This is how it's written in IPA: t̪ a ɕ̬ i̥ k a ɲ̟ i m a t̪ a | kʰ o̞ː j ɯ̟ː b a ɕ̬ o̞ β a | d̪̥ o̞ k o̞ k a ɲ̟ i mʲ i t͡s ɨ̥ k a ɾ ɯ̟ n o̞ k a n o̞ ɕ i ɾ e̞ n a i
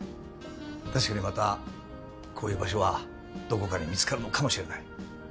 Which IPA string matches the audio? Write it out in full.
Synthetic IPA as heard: t̪ a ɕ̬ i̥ k a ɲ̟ i m a t̪ a | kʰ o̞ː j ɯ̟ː b a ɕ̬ o̞ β a | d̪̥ o̞ k o̞ k a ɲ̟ i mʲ i t͡s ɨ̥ k a ɾ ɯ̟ n o̞ k a m o̞ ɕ i ɾ e̞ n a i